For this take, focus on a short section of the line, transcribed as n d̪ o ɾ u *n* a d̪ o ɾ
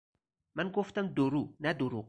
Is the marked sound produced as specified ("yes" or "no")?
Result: yes